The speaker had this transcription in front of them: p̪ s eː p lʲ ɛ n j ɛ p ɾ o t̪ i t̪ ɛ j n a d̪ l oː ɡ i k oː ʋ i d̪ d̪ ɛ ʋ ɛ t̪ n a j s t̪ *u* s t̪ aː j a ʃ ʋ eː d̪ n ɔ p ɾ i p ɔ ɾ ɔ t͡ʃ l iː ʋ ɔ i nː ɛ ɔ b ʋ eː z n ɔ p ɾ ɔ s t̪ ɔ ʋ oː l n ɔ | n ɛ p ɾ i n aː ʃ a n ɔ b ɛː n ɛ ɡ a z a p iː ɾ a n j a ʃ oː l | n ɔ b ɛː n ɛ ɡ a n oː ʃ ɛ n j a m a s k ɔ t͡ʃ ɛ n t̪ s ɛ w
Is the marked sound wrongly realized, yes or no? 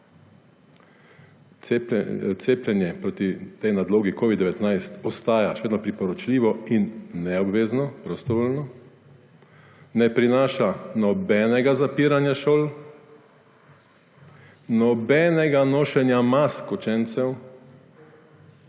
yes